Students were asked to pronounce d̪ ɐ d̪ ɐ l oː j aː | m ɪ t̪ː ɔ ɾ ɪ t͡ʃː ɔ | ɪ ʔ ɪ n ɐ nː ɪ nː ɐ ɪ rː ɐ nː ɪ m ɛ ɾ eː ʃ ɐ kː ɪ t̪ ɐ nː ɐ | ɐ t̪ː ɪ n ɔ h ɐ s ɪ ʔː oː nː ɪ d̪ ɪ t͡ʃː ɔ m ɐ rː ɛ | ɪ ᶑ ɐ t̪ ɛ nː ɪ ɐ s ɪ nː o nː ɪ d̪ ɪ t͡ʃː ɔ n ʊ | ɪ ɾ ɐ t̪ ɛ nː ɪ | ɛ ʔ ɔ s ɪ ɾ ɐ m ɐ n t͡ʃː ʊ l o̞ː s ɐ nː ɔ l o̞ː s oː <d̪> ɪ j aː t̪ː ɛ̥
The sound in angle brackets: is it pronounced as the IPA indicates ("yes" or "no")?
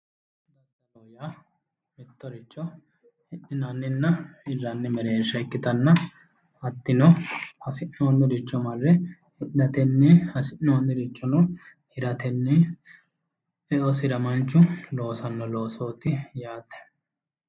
no